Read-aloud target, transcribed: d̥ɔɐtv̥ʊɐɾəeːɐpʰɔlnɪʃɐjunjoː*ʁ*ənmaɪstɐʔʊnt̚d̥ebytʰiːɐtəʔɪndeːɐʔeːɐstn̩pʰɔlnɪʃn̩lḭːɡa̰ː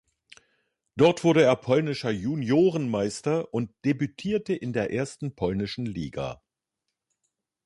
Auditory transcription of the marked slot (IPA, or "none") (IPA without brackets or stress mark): ʁ